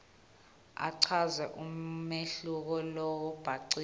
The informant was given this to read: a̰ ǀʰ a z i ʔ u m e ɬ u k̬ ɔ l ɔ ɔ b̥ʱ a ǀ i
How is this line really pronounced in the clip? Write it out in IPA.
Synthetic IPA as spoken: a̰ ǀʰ a z ɛ ʔ u m e ɬ u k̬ ɔ l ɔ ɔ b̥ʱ a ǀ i